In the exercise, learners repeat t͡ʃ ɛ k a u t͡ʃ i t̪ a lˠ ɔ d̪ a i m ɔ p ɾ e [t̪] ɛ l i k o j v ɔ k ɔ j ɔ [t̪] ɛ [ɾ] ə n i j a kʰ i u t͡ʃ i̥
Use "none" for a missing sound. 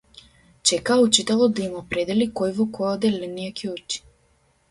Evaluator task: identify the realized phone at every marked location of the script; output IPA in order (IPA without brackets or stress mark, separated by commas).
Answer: d̪, d̪, l